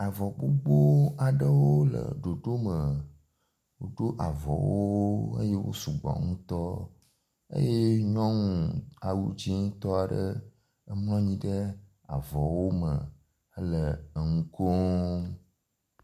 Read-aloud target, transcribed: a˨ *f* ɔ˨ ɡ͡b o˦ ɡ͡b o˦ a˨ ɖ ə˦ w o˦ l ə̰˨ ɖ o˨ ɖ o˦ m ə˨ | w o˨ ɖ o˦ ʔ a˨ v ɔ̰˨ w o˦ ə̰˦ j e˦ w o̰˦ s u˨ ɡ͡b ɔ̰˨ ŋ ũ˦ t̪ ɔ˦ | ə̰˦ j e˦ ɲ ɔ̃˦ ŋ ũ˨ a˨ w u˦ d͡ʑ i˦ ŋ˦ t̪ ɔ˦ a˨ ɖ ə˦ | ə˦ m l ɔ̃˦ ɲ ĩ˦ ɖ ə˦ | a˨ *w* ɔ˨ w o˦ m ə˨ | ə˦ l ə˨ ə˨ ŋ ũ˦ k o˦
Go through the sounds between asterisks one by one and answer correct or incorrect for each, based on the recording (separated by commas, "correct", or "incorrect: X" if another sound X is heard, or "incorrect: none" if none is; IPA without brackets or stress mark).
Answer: incorrect: v, incorrect: v